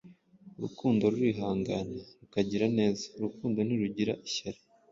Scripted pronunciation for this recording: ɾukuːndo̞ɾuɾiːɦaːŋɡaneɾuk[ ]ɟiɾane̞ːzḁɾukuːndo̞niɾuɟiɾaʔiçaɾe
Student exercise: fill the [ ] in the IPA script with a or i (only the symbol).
a